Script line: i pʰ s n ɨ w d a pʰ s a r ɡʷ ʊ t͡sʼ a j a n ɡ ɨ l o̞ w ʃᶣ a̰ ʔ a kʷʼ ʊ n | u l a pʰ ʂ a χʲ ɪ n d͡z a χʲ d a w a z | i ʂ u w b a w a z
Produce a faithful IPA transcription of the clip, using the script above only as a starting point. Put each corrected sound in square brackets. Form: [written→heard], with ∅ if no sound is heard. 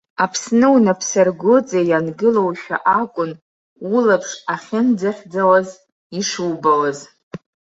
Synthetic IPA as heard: [i→a] pʰ s n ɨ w [d→n] a pʰ s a r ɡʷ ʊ t͡sʼ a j a n ɡ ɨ l o̞ w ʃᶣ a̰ ʔ a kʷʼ ʊ n | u l a pʰ ʂ a χʲ ɪ n d͡z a χʲ [d→d͡z] a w a z | i ʂ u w b a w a z